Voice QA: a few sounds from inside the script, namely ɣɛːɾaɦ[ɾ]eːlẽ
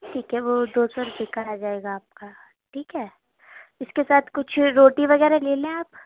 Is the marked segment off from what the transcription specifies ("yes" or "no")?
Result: yes